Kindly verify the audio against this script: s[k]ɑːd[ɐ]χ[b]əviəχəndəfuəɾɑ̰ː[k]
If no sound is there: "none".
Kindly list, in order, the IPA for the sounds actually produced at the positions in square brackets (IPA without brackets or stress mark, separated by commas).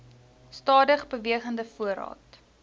t, ə, b, t